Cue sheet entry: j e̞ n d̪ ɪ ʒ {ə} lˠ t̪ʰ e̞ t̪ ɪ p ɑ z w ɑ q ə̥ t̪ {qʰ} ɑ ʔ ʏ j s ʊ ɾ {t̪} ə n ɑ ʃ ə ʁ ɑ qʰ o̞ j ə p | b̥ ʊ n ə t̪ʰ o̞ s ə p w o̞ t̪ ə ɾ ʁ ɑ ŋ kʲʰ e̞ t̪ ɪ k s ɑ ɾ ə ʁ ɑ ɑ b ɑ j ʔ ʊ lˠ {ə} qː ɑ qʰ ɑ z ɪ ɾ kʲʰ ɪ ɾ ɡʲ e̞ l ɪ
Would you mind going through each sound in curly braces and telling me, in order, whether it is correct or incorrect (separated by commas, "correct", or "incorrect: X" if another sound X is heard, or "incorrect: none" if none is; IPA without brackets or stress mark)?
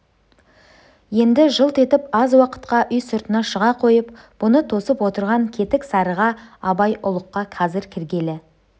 correct, incorrect: q, correct, correct